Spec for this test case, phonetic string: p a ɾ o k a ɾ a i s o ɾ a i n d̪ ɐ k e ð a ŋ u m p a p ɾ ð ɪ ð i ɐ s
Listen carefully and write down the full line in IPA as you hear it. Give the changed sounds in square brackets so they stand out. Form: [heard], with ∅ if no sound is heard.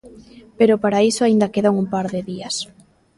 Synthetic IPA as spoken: p [e] ɾ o [p] a ɾ a i s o [∅] a i n d̪ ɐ k e ð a ŋ u m p a [∅] ɾ ð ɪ ð i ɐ s